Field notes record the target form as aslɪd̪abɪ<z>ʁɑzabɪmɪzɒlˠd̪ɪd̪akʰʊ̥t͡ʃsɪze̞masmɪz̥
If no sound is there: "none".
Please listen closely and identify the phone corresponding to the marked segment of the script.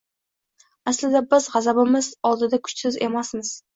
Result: z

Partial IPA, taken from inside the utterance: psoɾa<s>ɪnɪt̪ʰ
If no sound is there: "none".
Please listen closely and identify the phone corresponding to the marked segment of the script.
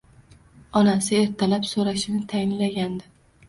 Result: ʃ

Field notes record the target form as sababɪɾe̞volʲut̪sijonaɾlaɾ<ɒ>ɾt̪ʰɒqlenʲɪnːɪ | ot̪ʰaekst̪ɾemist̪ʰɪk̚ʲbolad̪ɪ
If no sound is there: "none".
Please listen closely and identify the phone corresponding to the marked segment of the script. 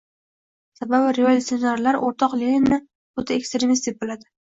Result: o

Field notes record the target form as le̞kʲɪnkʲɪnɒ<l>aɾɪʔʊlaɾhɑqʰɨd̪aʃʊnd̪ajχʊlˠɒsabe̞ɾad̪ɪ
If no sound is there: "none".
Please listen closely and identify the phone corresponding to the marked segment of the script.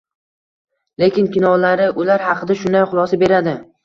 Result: l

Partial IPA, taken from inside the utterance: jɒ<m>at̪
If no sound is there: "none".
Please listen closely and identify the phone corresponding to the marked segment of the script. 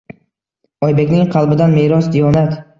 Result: n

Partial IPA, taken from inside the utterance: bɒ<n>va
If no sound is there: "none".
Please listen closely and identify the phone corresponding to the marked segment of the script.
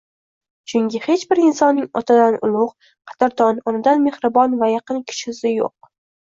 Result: n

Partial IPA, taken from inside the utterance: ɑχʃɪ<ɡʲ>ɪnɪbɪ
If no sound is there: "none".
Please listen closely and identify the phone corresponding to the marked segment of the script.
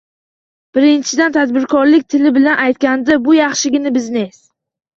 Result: ɡʲ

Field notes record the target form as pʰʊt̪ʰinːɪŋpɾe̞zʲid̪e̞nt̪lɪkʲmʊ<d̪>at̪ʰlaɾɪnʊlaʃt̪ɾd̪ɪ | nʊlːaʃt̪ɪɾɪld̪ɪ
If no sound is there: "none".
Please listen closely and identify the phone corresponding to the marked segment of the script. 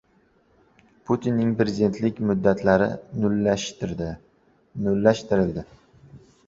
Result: d̪ː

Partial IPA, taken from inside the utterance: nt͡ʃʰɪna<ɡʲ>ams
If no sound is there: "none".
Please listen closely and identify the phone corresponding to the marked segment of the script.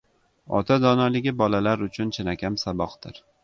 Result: kʲ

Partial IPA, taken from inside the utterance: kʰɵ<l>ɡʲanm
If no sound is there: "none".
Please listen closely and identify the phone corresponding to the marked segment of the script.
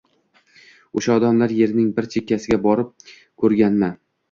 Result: ɾ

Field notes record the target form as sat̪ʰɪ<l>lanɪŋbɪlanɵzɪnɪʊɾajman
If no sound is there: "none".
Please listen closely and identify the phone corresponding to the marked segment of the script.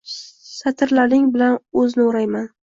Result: ɾ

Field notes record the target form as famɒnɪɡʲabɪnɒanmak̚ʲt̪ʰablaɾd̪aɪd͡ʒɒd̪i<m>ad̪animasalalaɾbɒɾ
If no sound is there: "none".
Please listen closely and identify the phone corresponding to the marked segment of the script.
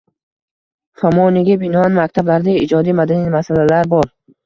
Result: m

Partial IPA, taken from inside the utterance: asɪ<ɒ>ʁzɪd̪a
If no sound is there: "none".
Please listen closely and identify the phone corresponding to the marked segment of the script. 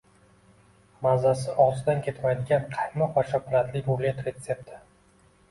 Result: ɒ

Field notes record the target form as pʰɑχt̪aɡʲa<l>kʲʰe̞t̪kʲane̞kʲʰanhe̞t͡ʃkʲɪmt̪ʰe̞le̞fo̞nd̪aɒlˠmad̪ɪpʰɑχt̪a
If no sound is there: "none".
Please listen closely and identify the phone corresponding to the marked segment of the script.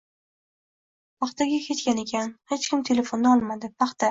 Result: none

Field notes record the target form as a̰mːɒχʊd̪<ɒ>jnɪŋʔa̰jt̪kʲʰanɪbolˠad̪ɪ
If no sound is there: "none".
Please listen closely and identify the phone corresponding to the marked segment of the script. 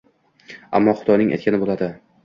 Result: ɒ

